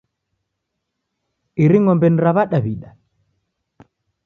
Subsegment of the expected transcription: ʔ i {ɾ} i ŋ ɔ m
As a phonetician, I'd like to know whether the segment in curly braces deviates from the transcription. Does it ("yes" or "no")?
no